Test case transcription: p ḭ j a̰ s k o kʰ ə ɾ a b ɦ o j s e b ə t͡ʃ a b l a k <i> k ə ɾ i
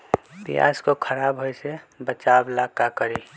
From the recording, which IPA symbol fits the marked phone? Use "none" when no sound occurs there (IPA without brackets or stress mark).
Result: a